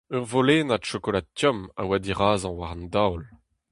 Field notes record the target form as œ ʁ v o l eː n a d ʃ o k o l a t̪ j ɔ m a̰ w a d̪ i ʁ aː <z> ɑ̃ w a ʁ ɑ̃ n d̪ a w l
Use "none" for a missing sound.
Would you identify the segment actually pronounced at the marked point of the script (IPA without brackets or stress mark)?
z